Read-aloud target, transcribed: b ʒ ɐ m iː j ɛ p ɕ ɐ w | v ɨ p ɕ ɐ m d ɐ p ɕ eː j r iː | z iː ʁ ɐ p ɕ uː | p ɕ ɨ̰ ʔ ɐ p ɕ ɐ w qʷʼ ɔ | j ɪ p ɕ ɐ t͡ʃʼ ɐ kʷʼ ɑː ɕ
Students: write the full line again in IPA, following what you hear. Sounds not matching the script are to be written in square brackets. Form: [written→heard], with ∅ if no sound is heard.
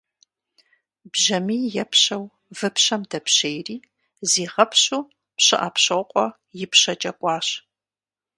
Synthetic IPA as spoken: b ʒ ɐ m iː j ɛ p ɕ ɐ w | v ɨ p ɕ ɐ m d ɐ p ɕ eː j r iː | z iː ʁ ɐ p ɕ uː | p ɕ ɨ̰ ʔ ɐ p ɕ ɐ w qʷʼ ɔ | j ɪ p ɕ ɐ t͡ʃʼ ɐ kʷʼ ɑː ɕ